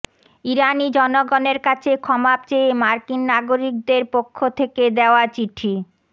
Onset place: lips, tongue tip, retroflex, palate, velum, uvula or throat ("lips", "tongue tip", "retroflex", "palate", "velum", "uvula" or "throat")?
tongue tip